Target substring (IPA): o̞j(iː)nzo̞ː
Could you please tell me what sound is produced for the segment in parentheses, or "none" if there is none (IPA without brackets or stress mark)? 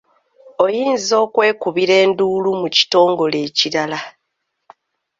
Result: iː